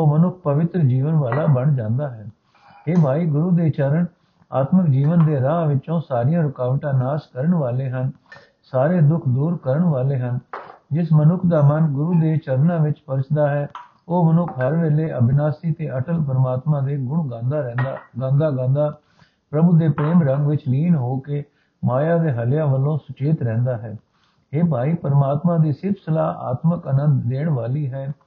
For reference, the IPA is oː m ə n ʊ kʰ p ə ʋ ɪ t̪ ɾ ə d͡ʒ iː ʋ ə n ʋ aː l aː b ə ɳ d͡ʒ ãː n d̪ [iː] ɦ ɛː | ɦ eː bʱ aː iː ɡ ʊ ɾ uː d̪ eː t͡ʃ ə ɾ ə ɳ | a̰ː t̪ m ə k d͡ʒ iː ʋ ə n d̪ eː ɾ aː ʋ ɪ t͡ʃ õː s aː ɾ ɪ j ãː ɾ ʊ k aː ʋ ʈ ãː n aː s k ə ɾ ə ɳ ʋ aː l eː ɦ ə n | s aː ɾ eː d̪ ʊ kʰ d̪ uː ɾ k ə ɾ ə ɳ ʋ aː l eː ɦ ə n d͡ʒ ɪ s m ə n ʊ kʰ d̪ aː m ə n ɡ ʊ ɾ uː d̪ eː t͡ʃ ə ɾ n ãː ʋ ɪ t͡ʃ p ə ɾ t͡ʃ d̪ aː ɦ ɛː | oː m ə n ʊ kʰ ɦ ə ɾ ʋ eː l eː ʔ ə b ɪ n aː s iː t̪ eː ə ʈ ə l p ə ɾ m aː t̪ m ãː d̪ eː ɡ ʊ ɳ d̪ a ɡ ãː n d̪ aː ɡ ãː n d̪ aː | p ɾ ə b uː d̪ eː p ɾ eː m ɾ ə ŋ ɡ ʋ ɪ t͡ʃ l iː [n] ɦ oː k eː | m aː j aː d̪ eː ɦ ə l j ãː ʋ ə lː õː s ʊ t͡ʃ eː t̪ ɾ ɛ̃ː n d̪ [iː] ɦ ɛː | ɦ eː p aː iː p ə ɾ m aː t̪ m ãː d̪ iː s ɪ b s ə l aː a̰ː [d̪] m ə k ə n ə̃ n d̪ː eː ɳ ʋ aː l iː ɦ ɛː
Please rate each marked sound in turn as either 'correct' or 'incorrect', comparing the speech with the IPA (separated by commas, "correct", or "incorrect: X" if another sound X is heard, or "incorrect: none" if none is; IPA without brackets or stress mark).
incorrect: aː, correct, incorrect: aː, incorrect: t̪